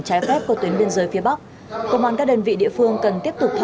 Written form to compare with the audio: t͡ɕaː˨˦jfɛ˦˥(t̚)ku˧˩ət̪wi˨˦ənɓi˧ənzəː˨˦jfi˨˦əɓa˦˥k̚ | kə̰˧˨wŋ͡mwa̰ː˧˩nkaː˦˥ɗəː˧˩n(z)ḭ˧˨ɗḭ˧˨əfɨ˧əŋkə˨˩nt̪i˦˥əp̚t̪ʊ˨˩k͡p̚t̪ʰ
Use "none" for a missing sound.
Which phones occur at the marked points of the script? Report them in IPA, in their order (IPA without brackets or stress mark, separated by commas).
p̚, v